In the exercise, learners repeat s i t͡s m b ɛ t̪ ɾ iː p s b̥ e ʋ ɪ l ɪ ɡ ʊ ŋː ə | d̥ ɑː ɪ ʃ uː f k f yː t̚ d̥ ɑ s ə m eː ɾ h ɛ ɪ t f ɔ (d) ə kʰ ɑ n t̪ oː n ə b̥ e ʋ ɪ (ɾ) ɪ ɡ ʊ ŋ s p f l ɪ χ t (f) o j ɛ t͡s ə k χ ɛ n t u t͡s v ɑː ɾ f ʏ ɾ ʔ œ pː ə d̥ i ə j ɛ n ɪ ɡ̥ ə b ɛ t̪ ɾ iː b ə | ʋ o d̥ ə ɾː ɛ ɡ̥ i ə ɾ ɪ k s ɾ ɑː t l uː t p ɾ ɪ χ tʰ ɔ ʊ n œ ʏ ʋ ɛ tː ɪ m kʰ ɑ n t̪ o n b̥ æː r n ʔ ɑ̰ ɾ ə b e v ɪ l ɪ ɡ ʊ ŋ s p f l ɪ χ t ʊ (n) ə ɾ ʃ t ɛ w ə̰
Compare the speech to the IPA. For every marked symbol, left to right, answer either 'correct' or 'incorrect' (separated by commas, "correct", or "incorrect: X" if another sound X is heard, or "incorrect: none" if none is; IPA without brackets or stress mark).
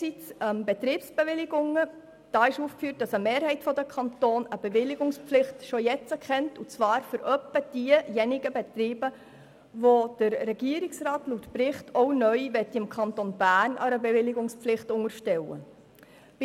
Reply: correct, incorrect: l, incorrect: ʃ, incorrect: ŋ